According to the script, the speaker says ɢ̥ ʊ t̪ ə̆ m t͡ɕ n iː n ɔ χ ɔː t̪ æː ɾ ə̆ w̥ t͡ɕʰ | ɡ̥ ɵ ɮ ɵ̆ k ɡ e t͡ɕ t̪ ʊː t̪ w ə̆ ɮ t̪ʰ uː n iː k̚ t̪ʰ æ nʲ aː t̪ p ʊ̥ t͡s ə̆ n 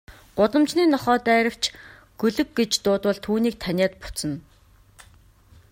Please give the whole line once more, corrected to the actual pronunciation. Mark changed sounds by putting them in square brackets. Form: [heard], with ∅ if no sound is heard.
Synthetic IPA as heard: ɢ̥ ʊ t̪ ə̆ m t͡ɕ n iː n ɔ χ ɔː t̪ æː ɾ ə̆ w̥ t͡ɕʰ | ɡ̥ ɵ ɮ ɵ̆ k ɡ e t͡ɕ t̪ ʊː t̪ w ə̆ ɮ t̪ʰ uː n iː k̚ t̪ʰ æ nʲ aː t̪ p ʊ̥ t͡s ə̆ n